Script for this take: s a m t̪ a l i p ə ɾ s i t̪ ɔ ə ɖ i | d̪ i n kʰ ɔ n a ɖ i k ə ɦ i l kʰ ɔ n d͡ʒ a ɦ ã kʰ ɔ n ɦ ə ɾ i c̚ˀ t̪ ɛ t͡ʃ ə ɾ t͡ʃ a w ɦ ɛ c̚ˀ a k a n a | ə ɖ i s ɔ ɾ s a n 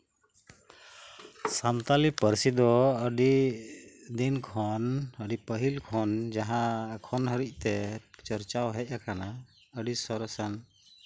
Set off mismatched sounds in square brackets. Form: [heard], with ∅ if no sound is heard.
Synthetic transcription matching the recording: s a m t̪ a l i p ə ɾ s i [d̪] ɔ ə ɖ i | d̪ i n kʰ ɔ n [ə] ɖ i [p] ə ɦ i l kʰ ɔ n d͡ʒ a ɦ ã kʰ ɔ n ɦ ə ɾ i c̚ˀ t̪ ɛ t͡ʃ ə ɾ t͡ʃ a w ɦ ɛ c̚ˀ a k a n a | ə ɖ i s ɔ ɾ s a n